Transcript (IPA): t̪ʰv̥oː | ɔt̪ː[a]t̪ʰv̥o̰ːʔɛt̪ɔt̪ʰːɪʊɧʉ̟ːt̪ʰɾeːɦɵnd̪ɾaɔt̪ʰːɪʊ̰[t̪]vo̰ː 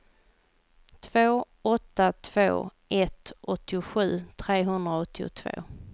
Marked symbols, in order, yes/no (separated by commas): yes, no